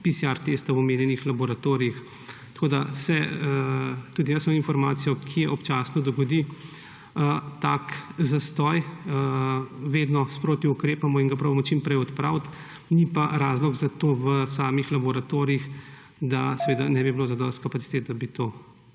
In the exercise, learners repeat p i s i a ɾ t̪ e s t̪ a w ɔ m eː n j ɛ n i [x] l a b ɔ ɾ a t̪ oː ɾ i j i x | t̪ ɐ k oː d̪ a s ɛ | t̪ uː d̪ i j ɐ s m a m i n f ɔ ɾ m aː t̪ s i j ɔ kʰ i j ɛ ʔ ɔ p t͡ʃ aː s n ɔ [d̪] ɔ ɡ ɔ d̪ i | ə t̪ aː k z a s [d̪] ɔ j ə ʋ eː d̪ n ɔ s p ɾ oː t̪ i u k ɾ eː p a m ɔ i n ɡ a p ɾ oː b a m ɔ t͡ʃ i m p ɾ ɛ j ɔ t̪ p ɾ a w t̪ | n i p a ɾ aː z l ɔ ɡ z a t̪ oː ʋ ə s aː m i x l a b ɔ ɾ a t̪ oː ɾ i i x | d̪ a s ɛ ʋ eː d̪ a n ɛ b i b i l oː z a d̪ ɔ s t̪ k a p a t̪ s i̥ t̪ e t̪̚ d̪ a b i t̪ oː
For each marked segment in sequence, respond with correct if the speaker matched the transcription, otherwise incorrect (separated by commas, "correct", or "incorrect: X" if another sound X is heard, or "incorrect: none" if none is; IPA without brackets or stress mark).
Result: correct, correct, incorrect: t̪